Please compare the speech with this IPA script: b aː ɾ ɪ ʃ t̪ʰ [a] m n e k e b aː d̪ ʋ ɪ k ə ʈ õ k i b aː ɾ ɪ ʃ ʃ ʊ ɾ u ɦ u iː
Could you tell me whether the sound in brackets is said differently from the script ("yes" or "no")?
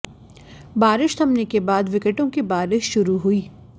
yes